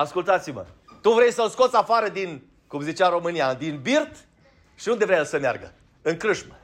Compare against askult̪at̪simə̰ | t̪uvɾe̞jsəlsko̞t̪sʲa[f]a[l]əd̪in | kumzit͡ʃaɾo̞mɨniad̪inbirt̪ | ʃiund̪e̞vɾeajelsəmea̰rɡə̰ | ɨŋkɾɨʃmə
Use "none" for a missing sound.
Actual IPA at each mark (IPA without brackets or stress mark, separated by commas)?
f, ɾ